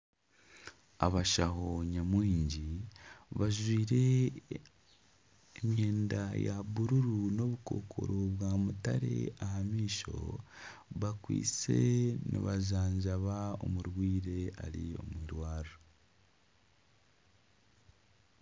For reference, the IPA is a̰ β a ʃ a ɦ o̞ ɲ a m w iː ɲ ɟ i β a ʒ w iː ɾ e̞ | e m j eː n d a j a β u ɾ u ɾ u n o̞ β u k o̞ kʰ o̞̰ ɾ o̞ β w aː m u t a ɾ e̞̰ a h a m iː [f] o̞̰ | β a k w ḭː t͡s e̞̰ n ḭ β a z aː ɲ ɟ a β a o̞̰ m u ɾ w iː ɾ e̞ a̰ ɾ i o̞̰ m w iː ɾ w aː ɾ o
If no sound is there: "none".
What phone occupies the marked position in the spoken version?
ʃ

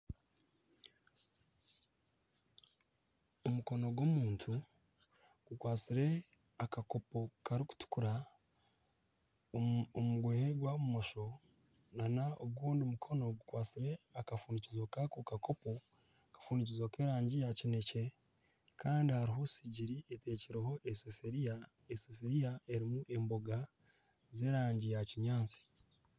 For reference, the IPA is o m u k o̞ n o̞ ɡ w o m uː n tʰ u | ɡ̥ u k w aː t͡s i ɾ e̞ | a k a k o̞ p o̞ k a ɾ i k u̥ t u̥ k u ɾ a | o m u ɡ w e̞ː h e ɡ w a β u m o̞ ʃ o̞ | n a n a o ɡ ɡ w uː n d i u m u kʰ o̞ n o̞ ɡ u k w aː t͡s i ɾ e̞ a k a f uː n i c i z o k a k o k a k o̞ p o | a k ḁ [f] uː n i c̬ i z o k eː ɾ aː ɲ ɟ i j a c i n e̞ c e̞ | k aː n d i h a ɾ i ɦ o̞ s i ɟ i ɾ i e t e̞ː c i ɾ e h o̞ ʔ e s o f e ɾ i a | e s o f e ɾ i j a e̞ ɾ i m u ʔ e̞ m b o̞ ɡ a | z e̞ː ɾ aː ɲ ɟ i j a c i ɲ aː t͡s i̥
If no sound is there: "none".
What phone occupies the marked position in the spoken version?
f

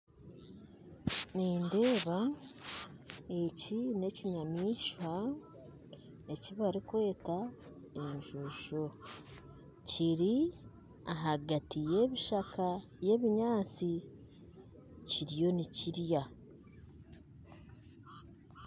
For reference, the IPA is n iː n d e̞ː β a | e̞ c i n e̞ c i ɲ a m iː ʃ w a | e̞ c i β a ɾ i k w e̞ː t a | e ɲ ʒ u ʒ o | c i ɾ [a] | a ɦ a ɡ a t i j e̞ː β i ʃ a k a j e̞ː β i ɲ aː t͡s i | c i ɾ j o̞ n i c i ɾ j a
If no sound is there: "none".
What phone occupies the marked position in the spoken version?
i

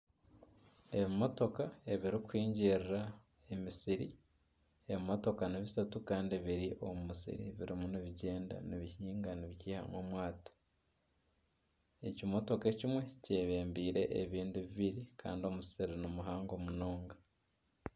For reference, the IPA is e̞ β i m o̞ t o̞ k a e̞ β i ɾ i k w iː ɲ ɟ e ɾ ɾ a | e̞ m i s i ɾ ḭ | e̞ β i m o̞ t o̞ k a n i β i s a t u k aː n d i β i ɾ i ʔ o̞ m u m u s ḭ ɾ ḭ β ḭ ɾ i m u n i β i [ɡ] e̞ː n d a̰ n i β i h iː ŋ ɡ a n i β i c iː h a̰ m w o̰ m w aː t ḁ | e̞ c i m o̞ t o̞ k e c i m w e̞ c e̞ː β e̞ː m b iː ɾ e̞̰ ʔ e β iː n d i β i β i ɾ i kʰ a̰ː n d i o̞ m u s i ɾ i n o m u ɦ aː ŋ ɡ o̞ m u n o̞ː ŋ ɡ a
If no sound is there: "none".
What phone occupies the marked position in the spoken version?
ɟ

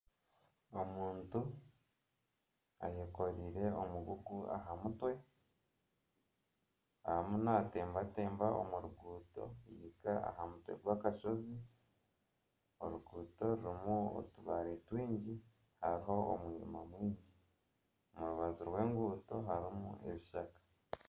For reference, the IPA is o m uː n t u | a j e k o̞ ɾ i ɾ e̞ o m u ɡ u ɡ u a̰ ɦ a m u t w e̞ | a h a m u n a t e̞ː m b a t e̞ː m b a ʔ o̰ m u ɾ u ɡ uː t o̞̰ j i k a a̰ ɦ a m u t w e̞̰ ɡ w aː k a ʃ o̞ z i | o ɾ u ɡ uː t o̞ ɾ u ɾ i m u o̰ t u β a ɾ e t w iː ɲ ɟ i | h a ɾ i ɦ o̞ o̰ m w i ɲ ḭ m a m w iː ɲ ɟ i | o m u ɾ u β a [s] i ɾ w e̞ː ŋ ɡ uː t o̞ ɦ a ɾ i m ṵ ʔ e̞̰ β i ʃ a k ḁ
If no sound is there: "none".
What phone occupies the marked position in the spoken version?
z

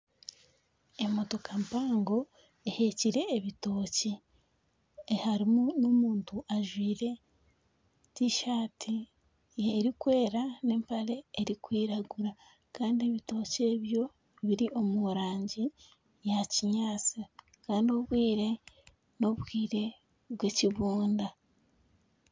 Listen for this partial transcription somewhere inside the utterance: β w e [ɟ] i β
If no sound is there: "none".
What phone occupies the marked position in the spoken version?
c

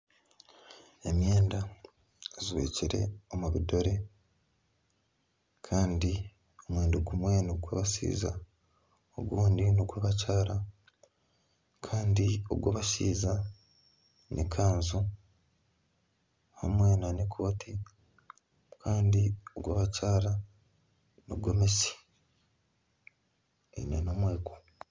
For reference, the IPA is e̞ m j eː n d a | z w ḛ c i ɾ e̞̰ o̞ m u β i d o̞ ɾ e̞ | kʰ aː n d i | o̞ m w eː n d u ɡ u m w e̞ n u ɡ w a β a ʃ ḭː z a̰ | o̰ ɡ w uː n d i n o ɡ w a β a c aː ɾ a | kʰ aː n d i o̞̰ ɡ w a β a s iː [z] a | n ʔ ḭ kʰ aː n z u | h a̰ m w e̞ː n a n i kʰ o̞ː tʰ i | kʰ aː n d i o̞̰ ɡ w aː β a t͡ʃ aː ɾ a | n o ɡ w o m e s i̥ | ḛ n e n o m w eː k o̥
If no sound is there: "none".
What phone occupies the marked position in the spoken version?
z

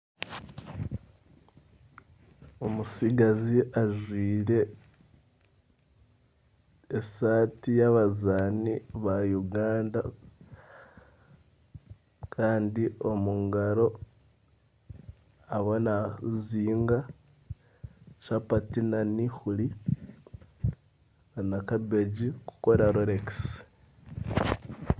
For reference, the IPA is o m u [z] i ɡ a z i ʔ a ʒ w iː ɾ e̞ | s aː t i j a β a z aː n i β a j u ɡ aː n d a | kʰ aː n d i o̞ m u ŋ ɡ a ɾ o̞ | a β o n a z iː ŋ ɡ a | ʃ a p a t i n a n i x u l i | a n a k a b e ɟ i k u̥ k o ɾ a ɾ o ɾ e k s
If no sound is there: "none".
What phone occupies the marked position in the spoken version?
s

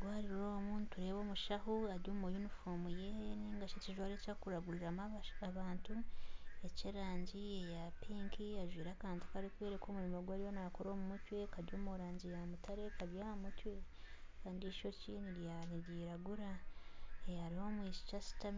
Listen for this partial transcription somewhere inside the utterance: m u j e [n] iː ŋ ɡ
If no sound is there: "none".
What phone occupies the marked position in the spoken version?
n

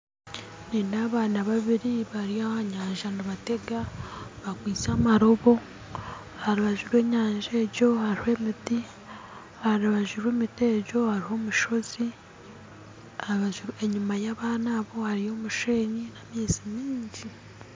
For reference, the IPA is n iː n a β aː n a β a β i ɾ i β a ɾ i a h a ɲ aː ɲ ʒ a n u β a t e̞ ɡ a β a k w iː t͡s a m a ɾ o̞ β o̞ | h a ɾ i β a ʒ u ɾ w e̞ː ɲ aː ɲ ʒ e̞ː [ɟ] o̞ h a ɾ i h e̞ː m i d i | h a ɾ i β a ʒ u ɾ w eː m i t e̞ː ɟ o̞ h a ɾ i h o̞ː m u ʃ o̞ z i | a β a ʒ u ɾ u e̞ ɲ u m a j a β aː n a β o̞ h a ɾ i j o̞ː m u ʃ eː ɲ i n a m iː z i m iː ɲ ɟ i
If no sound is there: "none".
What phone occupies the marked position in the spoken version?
ɟ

